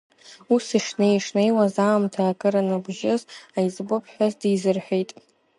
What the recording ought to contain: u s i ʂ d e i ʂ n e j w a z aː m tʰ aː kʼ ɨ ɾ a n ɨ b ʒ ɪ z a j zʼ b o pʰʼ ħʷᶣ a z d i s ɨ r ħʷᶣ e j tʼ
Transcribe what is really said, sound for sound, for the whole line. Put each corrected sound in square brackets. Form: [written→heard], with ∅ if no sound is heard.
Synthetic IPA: u s i ʂ [d→n] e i ʂ n e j w a z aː m tʰ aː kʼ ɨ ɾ a n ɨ b ʒ ɪ z a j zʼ b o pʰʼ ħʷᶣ a z d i [s→z] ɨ r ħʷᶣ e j tʼ